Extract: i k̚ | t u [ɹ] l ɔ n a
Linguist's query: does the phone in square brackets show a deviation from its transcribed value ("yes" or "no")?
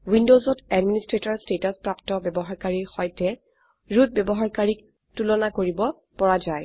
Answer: yes